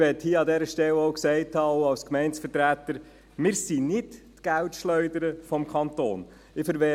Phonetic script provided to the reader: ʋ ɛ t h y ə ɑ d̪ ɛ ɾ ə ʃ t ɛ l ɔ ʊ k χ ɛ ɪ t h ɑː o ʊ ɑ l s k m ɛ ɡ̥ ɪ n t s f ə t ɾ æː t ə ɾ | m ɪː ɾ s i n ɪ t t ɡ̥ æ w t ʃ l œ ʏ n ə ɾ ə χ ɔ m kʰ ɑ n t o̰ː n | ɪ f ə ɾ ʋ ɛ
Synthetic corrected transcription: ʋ ɛ t h i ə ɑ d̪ ɛ ɾ ə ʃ t ɛ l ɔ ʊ k s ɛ ɪ t h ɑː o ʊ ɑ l s k m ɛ ɪ n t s f ə t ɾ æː t ə ɾ | m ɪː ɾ s i n ɪ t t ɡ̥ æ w t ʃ l œ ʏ d ə ɾ ə f ɔ m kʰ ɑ n t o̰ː n | ɪ f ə ɾ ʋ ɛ